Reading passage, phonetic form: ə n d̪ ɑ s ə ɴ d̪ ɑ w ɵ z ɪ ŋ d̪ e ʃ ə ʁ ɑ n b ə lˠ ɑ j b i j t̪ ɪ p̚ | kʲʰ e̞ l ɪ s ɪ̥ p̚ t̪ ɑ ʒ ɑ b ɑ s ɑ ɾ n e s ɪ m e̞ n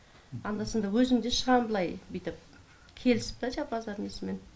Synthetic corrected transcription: ɑ n d̪ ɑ s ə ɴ d̪ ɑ w ɵ z ɪ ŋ d̪ e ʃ ə ʁ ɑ n b ə lˠ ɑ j b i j t̪ ɪ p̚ | kʲʰ e̞ l ɪ s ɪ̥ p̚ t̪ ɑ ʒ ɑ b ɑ z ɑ ɾ n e s ɪ m e̞ n